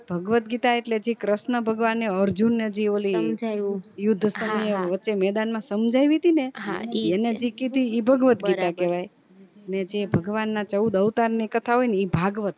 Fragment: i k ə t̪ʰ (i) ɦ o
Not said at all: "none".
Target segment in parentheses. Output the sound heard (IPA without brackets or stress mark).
a